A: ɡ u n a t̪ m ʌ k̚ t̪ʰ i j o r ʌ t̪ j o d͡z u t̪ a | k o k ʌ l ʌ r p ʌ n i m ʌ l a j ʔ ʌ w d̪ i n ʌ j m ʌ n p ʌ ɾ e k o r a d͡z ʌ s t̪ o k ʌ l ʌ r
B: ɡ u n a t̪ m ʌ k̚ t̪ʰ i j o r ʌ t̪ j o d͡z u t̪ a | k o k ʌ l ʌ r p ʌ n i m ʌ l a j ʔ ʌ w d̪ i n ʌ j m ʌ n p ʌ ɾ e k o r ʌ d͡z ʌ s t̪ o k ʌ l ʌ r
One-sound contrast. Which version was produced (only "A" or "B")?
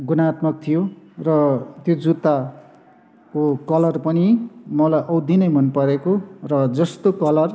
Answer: B